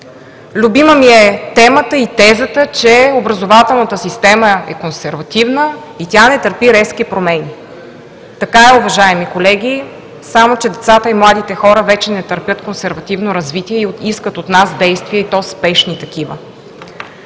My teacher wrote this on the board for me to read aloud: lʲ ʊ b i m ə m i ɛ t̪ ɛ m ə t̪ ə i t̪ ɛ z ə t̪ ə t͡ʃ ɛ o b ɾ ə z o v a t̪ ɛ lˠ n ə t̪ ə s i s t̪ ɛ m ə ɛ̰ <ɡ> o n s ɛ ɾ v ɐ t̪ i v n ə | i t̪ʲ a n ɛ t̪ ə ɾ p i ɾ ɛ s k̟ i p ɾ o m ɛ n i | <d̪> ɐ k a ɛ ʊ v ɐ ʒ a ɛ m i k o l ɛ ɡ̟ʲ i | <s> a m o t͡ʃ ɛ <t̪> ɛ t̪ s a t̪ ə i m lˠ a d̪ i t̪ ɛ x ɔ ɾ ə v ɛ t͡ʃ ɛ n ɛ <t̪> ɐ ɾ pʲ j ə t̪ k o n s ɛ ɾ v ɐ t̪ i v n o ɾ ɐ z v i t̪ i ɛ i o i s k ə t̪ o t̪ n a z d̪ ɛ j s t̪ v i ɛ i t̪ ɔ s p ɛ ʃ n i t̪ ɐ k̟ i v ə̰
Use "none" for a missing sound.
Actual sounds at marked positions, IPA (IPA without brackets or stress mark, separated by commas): k, t̪, s, d̪, t̪